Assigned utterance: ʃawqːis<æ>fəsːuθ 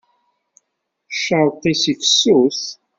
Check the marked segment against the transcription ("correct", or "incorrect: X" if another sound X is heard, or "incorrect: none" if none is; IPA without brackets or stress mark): incorrect: i